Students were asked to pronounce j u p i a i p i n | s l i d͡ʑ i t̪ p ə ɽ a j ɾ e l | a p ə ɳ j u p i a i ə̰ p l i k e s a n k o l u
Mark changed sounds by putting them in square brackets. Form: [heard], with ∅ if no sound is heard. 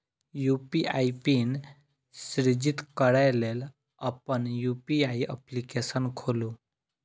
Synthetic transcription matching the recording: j u p i a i p i n | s [ɾ] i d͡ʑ i t̪ [k] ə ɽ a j [l] e l | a p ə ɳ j u p i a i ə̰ p l i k e s [ə] n [kʰ] o l u